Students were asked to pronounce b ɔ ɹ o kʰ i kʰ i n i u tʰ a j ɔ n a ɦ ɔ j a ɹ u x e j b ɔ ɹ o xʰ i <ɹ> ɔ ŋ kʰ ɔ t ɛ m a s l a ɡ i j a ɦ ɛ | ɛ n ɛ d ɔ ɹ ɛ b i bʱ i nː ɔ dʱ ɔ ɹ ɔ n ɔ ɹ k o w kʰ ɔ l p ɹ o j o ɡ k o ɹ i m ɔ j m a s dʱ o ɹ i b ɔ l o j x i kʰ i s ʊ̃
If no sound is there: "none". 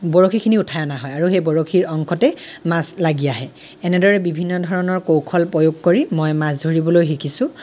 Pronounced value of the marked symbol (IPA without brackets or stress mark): ɹ